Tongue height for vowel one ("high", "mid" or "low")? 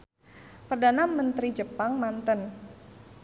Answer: mid